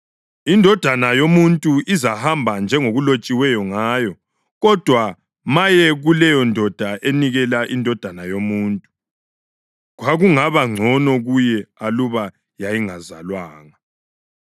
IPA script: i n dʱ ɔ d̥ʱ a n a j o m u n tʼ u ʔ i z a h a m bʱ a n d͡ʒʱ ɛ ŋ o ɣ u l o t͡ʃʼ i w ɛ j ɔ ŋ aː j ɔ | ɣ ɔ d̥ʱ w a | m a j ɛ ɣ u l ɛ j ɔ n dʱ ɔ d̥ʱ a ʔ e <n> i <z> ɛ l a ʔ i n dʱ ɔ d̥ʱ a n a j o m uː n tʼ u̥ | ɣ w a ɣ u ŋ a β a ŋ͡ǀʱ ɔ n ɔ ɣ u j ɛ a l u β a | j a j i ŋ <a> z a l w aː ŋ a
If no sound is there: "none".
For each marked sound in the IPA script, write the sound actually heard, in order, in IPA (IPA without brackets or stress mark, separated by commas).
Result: n, ɣ, a